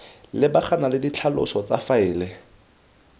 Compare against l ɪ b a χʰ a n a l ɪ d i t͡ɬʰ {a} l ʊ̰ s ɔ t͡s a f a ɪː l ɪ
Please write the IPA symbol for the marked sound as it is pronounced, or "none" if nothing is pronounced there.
a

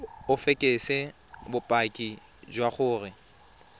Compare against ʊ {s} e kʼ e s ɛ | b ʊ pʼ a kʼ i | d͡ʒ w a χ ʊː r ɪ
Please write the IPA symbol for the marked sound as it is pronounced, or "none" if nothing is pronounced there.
f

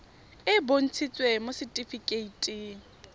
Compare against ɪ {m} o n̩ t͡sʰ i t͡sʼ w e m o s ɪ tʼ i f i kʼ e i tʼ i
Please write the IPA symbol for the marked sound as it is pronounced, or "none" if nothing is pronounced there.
b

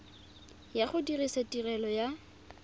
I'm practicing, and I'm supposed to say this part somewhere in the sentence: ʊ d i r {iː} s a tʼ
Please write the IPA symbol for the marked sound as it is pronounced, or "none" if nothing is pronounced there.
i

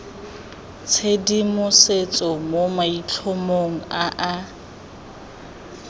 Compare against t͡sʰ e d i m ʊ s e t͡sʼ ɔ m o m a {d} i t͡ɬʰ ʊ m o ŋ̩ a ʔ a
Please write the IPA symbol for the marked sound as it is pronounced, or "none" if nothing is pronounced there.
none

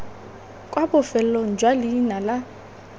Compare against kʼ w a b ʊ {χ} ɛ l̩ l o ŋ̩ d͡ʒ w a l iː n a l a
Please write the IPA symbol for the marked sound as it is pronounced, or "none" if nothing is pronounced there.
f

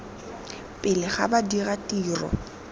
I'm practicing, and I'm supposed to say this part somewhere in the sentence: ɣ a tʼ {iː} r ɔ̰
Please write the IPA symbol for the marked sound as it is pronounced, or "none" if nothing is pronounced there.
iː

